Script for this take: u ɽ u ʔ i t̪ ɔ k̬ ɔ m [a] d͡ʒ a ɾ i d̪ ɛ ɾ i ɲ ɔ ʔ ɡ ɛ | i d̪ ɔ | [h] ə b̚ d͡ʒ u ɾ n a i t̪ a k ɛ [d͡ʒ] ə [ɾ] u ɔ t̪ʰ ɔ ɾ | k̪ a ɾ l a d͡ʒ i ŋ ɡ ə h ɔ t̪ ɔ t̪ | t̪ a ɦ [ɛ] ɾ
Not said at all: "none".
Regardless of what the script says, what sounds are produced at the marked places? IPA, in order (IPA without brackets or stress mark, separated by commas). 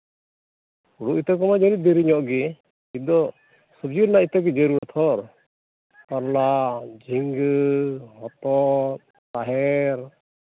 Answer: a, s, d͡ʒ, ɾ, ɛ